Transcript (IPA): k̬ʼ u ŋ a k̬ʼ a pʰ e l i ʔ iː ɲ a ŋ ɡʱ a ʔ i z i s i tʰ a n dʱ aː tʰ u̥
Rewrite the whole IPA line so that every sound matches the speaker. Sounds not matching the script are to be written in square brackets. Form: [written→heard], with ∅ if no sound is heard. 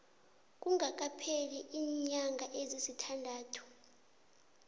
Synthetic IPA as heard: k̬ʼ u ŋ a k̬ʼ a pʰ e l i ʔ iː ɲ a ŋ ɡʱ a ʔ [i→e] z i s i tʰ a n dʱ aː tʰ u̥